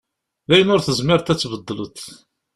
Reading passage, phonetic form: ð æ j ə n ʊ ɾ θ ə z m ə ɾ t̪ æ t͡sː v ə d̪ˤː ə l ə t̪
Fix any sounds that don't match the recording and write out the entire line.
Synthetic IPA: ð æ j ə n ʊ ɾ θ ə z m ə ɾ t̪ æ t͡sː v ə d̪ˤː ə l ə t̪